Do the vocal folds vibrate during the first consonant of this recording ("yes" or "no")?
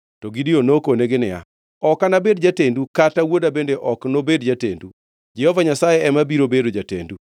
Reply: no